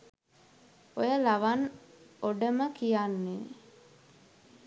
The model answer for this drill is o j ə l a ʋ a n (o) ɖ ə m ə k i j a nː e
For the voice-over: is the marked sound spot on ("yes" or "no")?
yes